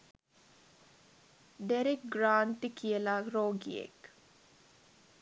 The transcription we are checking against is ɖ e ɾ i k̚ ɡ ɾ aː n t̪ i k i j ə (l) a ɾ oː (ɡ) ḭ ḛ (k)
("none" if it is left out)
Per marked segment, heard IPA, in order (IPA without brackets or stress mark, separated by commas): l, ɡ, k